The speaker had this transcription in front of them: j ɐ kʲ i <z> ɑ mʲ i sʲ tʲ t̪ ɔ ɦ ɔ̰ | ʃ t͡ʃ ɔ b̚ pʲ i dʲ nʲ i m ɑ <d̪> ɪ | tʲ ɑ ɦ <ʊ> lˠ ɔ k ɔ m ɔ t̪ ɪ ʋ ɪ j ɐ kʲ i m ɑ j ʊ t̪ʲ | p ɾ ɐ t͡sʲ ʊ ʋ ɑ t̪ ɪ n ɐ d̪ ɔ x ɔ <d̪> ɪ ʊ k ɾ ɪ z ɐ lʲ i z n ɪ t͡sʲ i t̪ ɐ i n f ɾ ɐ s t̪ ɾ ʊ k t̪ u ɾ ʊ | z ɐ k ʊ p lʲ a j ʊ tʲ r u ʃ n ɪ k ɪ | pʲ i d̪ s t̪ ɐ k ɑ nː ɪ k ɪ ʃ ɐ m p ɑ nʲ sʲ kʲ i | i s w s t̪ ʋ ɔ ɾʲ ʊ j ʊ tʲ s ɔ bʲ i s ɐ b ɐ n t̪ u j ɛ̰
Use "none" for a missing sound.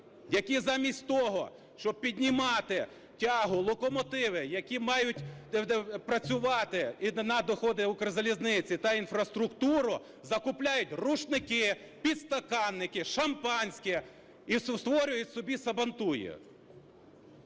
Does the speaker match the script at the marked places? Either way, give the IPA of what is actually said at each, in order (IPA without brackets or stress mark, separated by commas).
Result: z, t̪, ʊ, d̪